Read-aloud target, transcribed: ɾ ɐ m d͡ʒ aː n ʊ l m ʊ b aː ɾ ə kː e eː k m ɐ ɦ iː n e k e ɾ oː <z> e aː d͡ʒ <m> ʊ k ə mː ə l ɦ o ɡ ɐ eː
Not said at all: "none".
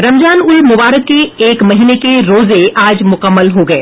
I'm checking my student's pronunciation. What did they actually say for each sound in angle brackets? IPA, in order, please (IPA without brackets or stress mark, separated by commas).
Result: z, m